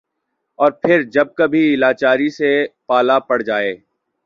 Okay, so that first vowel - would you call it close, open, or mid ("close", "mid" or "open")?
mid